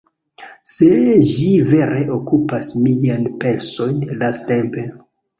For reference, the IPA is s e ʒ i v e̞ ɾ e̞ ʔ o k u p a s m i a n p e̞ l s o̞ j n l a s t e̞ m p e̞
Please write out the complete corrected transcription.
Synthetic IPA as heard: s e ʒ i v e̞ ɾ e̞ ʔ o k u p a s m i a n p e̞ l s o̞ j n l a s t e̞ m p e̞